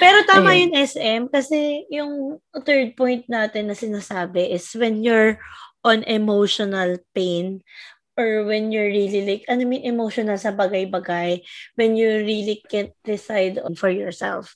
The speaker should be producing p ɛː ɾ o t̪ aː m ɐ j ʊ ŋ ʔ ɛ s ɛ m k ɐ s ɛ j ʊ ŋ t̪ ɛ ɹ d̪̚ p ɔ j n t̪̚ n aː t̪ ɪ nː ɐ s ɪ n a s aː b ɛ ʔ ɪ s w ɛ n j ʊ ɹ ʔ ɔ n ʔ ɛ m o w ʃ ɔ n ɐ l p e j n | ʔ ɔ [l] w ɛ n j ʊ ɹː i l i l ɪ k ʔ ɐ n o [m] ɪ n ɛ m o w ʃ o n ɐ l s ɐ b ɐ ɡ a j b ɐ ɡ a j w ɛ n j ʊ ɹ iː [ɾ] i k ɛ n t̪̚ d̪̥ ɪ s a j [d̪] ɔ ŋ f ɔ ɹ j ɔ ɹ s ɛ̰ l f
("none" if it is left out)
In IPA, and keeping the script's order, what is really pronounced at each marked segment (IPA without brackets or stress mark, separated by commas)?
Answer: ɹ, m, l, d̪